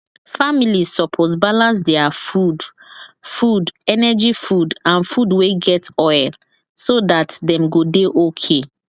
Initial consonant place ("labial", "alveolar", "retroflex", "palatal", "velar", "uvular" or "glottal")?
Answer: labial